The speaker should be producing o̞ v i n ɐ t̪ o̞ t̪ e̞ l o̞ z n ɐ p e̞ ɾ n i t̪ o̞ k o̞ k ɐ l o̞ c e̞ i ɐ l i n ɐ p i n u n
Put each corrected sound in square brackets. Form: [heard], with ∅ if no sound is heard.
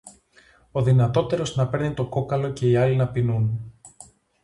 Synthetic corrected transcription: o̞ [ð] i n ɐ t̪ o̞ t̪ e̞ [ɾ] o̞ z n ɐ p e̞ ɾ n i t̪ o̞ k o̞ k ɐ l o̞ c e̞ i ɐ l i n ɐ p i n u n